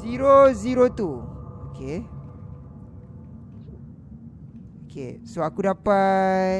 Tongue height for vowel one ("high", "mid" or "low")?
high